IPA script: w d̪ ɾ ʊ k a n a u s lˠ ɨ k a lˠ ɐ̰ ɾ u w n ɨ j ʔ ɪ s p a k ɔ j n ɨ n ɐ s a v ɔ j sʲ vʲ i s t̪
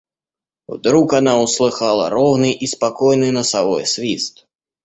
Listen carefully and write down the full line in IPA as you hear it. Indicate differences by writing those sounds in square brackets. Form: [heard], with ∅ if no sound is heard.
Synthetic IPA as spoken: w d̪ ɾ [u] k a n a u s lˠ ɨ [x] a lˠ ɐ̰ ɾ [ɔ] w n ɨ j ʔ [i] s p a k ɔ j n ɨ n ɐ s a v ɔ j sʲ vʲ i s t̪